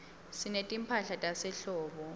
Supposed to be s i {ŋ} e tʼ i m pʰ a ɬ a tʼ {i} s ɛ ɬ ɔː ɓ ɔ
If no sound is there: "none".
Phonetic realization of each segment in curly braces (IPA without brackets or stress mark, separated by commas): n, a